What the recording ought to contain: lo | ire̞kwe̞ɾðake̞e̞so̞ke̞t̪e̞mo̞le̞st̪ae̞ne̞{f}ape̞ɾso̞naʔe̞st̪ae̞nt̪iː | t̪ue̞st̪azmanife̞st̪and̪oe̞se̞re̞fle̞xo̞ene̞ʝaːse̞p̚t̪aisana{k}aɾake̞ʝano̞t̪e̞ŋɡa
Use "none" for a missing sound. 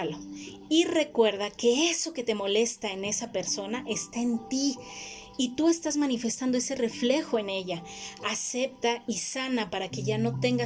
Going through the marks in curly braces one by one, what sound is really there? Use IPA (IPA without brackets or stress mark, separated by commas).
s, p